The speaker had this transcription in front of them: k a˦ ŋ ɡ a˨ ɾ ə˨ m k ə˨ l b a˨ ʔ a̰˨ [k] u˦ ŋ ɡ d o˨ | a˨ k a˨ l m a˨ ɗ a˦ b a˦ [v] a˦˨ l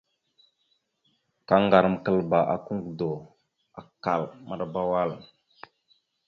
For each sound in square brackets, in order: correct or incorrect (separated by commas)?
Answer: correct, incorrect